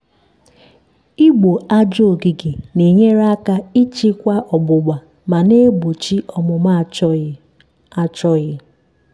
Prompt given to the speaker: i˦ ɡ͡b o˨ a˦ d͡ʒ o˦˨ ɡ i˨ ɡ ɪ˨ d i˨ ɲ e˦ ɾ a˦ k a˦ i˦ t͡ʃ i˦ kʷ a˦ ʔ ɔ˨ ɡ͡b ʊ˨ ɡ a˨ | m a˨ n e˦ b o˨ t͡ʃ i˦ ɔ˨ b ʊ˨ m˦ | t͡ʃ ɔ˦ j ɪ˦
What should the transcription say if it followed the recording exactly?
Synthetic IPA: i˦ ɡ͡b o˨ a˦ d͡ʒ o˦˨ ɡ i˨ ɡ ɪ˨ n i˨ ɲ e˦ ɾ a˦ k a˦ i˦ t͡ʃ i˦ kʷ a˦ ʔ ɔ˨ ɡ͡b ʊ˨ ɡ͡b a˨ | m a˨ n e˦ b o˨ t͡ʃ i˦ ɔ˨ m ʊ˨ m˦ | t͡ʃ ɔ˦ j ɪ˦